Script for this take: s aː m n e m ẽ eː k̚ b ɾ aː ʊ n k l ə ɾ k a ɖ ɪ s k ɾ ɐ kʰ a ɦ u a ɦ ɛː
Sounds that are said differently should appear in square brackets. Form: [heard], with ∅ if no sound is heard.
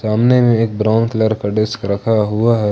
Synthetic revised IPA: s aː m n e m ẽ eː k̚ b ɾ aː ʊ n k l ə ɾ k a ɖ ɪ s k ɾ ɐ kʰ a ɦ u a ɦ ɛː